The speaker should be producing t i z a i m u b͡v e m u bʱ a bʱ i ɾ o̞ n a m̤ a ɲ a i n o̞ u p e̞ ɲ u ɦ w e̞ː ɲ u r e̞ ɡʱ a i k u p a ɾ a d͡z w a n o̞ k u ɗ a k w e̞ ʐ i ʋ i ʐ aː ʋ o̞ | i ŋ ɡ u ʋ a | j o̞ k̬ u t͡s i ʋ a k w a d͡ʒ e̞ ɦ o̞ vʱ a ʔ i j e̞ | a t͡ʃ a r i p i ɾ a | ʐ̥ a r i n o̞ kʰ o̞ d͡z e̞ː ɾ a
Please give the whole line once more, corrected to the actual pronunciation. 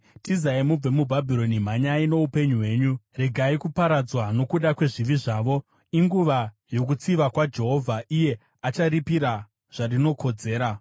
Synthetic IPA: t i z a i m u b͡v e m u bʱ a bʱ i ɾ o̞ n i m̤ a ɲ a i n o̞ u p e̞ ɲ u ɦ w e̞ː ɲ u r e̞ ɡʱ a i k u p a ɾ a d͡z w a n o̞ k u ɗ a k w e̞ ʐ i ʋ i ʐ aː ʋ o̞ | i ŋ ɡ u ʋ a | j o̞ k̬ u t͡s i ʋ a k w a d͡ʒ e̞ ɦ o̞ vʱ a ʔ i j e̞ | a t͡ʃ a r i p i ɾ a | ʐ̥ a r i n o̞ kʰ o̞ d͡z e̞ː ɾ a

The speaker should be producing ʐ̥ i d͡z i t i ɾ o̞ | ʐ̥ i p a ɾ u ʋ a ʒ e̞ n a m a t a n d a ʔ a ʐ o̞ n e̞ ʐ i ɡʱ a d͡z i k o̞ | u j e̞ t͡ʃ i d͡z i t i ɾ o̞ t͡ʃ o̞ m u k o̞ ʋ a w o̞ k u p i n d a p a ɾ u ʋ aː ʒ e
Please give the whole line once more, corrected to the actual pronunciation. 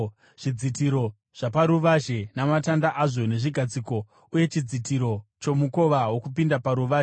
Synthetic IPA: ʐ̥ i d͡z i t i ɾ o̞ | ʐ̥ a p a ɾ u ʋ a ʒ e̞ n a m a t a n d a ʔ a ʐ o̞ n e̞ ʐ i ɡʱ a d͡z i k o̞ | u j e̞ t͡ʃ i d͡z i t i ɾ o̞ t͡ʃ o̞ m u k o̞ ʋ a w o̞ k u p i n d a p a ɾ u ʋ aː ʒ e

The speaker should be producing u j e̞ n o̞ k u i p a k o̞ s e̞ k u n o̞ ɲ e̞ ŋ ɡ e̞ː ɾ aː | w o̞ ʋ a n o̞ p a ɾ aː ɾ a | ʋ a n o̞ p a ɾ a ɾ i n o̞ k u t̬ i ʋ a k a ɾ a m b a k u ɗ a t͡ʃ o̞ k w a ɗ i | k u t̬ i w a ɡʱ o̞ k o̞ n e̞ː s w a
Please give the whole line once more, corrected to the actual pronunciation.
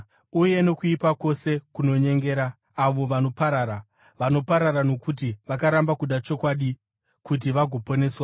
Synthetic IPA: u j e̞ n o̞ k u i p a k o̞ s e̞ k u n o̞ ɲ e̞ ŋ ɡ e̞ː ɾ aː | ʋ o̞ ʋ a n o̞ p a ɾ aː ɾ a | ʋ a n o̞ p a ɾ a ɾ a n o̞ k u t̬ i ʋ a k a ɾ a m b a k u ɗ a t͡ʃ o̞ k w a ɗ i | k u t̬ i ʋ a ɡʱ o̞ p o̞ n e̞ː s w a

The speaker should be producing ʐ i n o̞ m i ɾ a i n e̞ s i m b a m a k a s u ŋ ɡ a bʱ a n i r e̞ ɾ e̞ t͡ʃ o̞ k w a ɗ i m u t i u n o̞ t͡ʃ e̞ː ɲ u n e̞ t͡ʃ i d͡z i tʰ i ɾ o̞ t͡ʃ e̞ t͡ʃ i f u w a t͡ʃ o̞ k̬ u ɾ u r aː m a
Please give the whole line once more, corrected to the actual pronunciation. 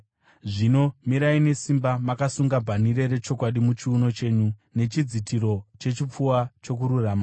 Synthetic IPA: ʐ i n o̞ m i ɾ a i n e̞ s i m b a m a k a s u ŋ ɡ a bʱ a n i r e̞ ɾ e̞ t͡ʃ o̞ k w a ɗ i m u t͡ʃ i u n o̞ t͡ʃ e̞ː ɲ u n e̞ t͡ʃ i d͡z i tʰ i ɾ o̞ t͡ʃ e̞ t͡ʃ i p͡f u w a t͡ʃ o̞ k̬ u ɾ u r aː m a

